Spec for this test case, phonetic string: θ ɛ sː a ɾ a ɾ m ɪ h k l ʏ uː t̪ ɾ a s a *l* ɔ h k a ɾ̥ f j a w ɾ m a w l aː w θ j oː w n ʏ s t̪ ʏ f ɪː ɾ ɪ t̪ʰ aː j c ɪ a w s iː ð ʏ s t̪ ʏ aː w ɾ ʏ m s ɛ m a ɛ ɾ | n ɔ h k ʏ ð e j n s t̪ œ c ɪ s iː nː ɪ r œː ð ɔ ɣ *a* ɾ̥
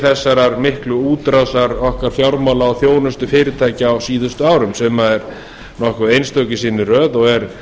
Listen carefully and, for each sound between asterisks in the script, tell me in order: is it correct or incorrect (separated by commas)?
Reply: incorrect, incorrect